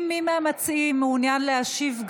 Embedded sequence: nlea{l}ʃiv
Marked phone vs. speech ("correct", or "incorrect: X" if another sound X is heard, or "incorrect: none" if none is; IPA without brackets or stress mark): incorrect: none